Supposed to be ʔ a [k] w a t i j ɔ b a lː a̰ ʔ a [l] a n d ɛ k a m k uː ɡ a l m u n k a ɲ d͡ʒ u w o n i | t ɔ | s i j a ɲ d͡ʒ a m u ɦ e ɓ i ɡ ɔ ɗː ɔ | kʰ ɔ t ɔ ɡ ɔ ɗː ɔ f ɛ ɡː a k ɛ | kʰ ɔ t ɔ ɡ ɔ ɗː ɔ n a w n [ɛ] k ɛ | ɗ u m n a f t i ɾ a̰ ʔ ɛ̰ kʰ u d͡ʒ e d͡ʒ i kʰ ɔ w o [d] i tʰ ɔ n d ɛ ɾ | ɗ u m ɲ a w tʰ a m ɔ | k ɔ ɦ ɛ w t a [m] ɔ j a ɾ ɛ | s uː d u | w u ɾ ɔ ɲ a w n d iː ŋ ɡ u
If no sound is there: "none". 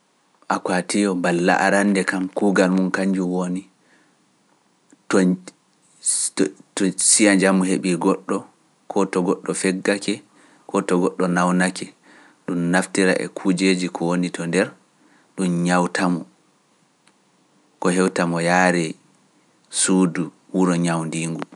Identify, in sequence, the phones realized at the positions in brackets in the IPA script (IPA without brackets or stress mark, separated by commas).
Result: k, ɾ, a, n, m